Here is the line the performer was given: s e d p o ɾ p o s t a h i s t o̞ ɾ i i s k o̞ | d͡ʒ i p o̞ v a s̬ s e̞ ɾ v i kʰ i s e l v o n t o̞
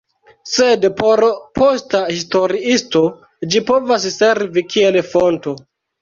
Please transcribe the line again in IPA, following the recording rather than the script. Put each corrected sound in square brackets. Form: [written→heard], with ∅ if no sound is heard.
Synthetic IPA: s e d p o ɾ p o s t a h i s t o̞ ɾ i i s [k→t] o̞ | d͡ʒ i p o̞ v a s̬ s e̞ ɾ v i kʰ i [s→∅] e l [v→f] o n t o̞